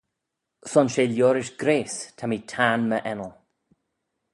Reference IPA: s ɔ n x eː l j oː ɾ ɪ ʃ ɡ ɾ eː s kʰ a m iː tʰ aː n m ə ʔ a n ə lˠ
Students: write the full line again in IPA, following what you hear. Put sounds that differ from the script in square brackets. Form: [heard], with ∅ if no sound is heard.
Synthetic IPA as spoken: s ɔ n [ʃ] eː l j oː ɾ ɪ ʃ ɡ ɾ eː s [tʰ] a m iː tʰ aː n m ə ʔ [ɛ] n ə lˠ